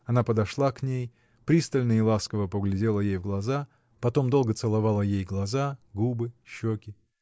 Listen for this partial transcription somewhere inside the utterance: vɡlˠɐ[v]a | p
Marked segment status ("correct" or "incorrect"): incorrect